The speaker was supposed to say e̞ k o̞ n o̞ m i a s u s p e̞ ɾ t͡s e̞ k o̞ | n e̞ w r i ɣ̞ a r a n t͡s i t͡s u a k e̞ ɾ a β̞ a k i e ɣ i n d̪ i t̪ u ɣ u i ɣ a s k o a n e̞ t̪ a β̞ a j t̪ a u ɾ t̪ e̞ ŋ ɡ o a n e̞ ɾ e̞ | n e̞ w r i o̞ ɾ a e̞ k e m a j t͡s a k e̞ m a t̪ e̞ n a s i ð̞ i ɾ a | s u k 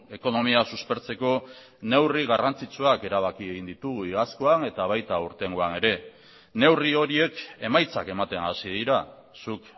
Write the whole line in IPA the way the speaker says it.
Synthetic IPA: e̞ k o̞ n o̞ m i a s u s p e̞ ɾ t͡s e̞ k o̞ | n e̞ w r i ɣ̞ a r a n t͡s i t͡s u a k e̞ ɾ a β̞ a k i e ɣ i n d̪ i t̪ u ɣ u i ɣ a s k o a n e̞ t̪ a β̞ a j t̪ a u ɾ t̪ e̞ ŋ ɡ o a n e̞ ɾ e̞ | n e̞ w r i o̞ ɾ i e̞ k e m a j t͡s a k e̞ m a t̪ e̞ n a s i ð̞ i ɾ a | s u k